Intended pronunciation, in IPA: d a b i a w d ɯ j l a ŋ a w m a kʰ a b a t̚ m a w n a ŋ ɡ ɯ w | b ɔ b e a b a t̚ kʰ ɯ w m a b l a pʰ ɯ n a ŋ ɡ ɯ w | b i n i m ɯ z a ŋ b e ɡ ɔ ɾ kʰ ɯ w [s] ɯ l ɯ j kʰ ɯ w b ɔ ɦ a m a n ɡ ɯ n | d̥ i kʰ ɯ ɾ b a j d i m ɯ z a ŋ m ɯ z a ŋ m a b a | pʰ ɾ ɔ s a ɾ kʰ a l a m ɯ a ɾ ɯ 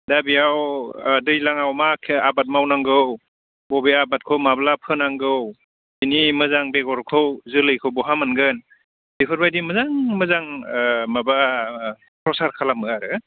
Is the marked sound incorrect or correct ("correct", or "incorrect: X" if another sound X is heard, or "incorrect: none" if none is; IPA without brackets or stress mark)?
incorrect: z